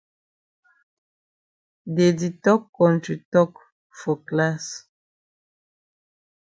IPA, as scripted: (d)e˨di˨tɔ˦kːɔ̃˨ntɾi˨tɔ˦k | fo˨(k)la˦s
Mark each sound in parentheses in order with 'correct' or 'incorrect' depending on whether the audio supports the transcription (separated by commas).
correct, correct